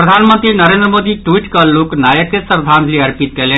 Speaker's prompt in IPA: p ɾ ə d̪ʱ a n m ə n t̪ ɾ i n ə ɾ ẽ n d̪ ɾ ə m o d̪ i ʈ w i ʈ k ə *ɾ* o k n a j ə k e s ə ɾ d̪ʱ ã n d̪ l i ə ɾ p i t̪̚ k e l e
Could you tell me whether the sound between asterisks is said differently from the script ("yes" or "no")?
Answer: yes